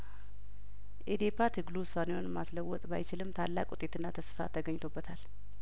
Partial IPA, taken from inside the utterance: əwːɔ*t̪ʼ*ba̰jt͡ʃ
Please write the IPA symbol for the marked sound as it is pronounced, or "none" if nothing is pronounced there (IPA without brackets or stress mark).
t̪ʼ